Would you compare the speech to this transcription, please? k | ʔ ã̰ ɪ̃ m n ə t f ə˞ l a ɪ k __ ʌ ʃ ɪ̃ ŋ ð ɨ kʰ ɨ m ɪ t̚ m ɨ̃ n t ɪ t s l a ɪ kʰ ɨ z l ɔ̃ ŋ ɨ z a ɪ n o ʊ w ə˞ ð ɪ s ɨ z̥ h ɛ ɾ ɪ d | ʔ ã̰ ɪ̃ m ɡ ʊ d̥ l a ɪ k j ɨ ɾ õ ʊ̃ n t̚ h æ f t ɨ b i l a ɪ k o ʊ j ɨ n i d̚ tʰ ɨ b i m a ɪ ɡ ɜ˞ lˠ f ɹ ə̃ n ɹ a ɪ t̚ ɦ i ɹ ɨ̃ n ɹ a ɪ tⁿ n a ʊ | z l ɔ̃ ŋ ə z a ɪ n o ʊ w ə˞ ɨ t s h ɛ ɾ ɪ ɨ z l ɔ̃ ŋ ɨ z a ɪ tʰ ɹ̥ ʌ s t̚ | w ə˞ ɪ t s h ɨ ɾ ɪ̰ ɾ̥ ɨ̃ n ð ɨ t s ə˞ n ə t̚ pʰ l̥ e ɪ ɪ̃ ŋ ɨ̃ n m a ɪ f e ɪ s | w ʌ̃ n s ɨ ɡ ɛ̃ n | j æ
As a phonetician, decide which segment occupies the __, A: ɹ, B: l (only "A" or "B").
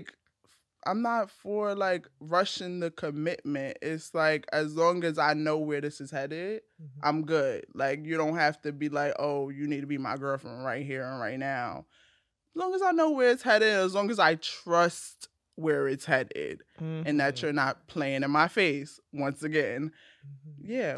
A